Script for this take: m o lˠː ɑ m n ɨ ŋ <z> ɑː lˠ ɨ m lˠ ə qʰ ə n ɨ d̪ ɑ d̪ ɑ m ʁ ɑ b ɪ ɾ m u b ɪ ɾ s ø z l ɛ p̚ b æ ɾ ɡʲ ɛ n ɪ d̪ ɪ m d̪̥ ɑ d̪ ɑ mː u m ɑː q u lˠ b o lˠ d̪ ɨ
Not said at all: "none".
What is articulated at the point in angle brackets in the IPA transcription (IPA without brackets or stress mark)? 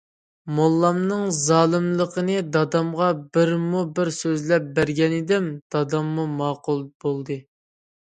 z